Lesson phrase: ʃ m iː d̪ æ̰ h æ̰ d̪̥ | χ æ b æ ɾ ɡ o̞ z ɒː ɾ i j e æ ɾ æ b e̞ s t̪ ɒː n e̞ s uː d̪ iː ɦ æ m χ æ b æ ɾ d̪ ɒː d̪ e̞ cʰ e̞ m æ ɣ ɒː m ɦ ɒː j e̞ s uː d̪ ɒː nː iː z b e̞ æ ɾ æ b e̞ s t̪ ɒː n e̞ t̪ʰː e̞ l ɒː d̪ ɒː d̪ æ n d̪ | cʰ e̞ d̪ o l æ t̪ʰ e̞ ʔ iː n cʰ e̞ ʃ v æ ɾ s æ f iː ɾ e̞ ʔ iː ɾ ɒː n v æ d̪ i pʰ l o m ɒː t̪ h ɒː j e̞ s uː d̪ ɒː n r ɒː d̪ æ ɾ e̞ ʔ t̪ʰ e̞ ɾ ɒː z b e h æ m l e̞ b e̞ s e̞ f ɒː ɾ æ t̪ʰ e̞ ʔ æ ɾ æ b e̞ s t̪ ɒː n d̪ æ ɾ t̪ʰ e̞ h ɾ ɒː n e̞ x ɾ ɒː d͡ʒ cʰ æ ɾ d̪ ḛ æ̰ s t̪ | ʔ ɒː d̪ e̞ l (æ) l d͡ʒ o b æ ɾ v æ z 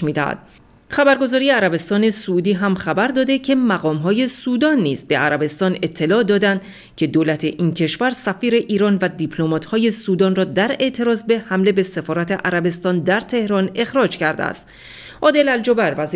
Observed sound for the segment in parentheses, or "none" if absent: æ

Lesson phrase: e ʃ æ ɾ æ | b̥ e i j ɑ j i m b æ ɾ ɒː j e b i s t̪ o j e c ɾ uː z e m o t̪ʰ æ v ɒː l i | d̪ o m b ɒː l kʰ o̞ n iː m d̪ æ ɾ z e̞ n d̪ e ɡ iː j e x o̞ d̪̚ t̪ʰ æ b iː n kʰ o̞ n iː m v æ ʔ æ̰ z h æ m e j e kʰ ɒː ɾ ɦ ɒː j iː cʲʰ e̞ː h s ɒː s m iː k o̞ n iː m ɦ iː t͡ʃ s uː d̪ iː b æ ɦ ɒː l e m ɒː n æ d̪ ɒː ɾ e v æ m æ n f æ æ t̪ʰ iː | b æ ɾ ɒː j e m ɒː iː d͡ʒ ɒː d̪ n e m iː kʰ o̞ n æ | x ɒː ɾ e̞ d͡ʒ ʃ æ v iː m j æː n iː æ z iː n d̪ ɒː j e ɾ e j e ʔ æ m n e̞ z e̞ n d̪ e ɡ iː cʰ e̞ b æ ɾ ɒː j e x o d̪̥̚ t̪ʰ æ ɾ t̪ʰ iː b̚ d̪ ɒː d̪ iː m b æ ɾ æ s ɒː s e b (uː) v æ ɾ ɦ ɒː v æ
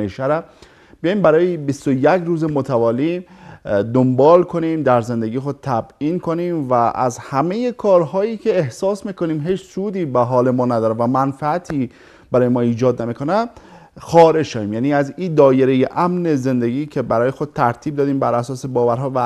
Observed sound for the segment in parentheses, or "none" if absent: ɒː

